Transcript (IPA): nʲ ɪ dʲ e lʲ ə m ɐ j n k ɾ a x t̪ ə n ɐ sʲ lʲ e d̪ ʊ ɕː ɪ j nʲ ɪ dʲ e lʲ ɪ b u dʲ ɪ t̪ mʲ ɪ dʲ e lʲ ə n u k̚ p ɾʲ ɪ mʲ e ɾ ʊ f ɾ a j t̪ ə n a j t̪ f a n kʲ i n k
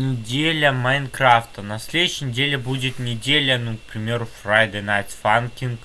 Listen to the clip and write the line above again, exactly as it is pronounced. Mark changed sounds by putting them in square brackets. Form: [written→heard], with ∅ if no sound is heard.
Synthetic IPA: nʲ ɪ dʲ e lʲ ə m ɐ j n k ɾ a [x→f] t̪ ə n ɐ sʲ lʲ e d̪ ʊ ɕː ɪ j nʲ ɪ dʲ e lʲ ɪ b u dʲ ɪ t̪ [mʲ→nʲ] ɪ dʲ e lʲ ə n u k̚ p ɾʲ ɪ mʲ e ɾ ʊ f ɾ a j [t̪→d̪] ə n a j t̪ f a n kʲ i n k